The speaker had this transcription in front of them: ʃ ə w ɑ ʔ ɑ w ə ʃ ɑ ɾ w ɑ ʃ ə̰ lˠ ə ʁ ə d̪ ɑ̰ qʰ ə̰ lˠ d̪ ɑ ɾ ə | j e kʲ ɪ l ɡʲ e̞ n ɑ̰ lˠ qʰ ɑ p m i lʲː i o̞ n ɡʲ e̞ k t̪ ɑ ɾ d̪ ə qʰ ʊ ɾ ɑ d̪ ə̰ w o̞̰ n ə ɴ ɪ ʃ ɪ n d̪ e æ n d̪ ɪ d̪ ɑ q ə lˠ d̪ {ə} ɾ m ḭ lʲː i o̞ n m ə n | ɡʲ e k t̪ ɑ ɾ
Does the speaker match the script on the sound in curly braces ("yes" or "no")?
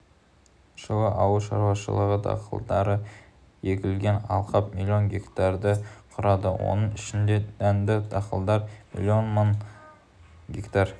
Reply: no